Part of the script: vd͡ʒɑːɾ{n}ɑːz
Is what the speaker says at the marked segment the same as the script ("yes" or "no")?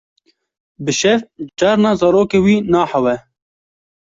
yes